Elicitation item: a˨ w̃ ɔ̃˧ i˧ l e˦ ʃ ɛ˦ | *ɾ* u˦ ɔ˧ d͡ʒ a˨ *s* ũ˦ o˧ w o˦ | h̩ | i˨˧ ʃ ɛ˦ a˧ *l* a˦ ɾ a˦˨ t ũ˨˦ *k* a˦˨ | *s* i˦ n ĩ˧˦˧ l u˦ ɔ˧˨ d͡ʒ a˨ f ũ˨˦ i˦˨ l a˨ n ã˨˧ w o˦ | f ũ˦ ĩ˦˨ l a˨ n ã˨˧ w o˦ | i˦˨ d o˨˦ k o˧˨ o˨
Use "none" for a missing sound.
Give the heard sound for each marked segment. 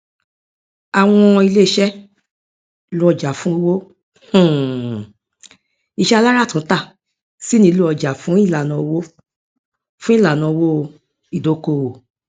l, f, l, t, s

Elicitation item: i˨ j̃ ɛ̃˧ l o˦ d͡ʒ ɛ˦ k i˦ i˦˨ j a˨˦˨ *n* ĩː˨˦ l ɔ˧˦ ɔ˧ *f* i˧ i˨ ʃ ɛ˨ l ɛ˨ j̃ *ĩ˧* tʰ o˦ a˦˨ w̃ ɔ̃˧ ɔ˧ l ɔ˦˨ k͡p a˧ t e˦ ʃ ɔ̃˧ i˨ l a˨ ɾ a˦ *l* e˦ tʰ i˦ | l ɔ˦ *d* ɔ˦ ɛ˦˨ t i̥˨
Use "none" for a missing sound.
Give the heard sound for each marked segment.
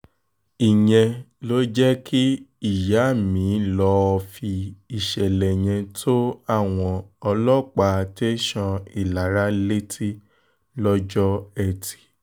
m, f, ɛ̃˧, l, d͡ʒ

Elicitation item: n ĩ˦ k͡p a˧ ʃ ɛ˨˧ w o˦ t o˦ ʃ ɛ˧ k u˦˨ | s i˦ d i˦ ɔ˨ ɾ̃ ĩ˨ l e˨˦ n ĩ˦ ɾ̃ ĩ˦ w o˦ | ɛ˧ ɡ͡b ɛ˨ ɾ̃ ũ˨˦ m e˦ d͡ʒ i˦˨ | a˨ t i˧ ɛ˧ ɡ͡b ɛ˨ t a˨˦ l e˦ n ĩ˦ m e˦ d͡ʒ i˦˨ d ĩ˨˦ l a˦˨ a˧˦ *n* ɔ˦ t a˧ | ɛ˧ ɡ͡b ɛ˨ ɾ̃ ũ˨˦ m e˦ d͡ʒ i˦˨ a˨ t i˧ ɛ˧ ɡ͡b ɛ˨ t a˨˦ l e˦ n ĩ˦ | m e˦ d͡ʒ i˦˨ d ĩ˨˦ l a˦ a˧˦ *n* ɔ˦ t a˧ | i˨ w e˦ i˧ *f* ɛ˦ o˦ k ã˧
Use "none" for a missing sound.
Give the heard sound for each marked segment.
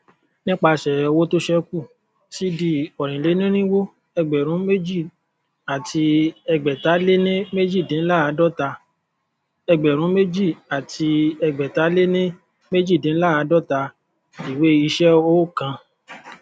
d, d, ʃ

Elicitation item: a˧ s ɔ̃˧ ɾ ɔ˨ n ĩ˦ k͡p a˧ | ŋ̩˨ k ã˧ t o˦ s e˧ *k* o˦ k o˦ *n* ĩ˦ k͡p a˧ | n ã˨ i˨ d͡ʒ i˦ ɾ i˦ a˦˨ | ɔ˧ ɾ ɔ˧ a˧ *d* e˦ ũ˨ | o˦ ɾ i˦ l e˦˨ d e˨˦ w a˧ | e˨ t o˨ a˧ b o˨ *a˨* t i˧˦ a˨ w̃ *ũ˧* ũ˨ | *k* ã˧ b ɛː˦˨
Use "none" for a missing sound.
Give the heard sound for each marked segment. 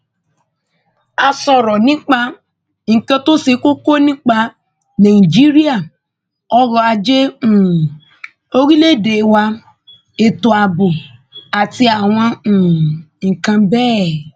k, n, d͡ʒ, a˨, ɔ̃˧, k

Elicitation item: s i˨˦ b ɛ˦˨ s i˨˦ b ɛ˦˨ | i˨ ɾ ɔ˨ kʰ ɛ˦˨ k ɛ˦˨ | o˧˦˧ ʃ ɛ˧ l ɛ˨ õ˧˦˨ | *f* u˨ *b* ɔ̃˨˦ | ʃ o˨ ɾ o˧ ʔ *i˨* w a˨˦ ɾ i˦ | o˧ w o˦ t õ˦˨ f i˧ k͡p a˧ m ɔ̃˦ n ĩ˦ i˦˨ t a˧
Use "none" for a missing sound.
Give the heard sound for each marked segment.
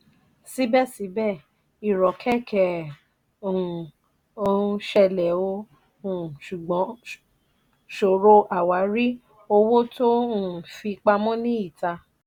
ʃ, ɡ͡b, a˨

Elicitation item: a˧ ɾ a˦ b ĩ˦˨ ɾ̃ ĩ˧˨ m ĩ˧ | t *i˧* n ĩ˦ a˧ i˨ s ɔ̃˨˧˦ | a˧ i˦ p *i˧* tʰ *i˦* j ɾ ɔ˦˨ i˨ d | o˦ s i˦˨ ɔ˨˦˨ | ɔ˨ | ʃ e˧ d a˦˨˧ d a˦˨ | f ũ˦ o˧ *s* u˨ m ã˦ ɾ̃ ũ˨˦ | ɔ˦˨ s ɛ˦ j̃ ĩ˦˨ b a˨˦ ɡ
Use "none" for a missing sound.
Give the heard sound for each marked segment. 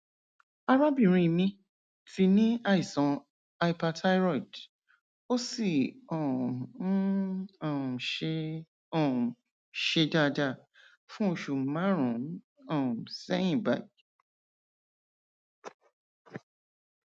i˧, a˧, a˦, ʃ

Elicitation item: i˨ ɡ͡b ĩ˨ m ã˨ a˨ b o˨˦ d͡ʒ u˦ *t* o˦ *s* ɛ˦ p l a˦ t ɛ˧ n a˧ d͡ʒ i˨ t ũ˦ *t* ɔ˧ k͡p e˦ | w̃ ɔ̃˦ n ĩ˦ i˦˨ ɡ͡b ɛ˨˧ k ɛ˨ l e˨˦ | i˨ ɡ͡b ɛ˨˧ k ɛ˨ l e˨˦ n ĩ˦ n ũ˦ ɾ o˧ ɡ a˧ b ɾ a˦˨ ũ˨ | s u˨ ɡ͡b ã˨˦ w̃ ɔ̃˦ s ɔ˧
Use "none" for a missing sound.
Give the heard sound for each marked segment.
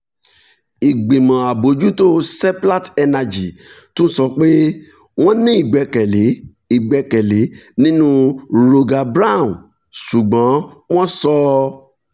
t, s, s

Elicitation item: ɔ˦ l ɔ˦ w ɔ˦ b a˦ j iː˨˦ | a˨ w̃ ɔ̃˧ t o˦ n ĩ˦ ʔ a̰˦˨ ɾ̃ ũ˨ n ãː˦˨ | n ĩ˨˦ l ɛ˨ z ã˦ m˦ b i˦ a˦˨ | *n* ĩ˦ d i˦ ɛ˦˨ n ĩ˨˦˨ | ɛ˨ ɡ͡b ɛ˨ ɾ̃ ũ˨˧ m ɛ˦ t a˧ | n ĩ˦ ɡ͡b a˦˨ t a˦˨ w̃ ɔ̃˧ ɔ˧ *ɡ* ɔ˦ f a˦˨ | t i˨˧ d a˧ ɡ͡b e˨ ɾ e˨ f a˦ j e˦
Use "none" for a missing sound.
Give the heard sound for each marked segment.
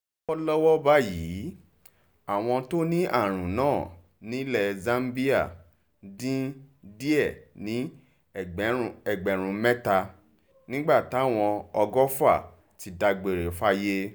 d, ɡ

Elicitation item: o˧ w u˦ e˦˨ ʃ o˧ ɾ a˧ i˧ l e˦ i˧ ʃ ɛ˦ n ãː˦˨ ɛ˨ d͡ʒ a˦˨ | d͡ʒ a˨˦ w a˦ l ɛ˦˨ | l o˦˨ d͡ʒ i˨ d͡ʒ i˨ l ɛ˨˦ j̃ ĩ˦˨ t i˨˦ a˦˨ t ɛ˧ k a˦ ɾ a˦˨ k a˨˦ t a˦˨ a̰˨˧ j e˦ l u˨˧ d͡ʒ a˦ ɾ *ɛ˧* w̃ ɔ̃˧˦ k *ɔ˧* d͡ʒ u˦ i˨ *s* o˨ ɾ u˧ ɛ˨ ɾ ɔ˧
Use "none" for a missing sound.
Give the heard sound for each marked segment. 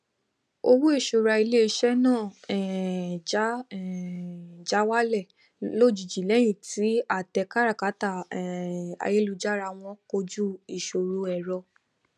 a˧, o˧, ʃ

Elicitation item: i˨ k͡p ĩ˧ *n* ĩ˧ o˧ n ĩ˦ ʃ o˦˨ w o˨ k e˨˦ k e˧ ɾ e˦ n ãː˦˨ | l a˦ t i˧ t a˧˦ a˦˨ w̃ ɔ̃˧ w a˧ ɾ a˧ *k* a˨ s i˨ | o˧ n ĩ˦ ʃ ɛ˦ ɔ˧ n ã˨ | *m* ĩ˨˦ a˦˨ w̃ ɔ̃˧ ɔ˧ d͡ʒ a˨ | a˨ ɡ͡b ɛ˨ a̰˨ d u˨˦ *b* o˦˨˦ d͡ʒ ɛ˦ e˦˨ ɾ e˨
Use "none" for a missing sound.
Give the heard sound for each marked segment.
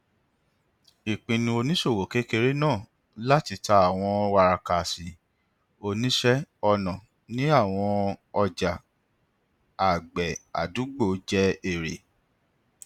n, k, n, ɡ͡b

